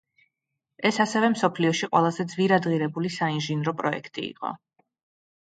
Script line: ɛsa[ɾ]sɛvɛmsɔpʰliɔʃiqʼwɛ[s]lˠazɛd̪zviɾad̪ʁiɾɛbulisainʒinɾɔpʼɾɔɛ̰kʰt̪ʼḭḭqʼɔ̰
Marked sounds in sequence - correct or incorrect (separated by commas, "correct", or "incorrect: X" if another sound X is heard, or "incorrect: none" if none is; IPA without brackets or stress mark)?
incorrect: none, incorrect: none